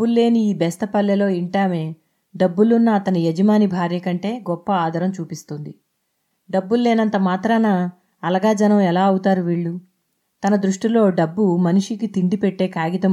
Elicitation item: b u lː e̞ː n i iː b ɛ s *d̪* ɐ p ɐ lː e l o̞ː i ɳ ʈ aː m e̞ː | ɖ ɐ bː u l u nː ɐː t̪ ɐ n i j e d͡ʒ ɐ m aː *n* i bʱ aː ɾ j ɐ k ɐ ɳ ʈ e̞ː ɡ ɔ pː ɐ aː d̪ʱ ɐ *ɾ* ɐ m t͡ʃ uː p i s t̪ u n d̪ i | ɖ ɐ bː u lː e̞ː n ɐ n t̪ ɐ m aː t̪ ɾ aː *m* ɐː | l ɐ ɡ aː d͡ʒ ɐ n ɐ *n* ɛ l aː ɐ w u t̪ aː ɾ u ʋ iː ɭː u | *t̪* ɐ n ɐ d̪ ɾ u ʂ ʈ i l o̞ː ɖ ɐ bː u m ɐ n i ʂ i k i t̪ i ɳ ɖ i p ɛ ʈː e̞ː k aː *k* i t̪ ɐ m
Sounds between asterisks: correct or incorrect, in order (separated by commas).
incorrect, correct, correct, incorrect, incorrect, correct, incorrect